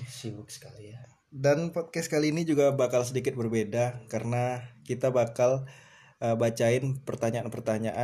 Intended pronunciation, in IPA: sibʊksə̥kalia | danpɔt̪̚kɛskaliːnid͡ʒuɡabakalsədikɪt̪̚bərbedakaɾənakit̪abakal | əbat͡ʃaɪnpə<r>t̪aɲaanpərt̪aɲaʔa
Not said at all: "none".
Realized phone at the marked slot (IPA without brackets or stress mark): r